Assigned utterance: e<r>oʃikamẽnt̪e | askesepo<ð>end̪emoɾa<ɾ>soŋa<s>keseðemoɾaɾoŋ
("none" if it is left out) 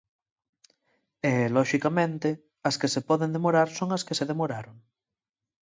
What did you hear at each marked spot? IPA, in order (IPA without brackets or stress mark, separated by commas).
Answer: l, ð, ɾ, s